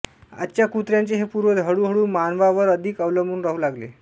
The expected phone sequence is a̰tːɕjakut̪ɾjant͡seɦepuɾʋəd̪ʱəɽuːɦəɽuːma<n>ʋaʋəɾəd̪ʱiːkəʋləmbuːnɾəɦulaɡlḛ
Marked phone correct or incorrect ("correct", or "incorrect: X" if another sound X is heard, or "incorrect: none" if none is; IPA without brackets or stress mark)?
correct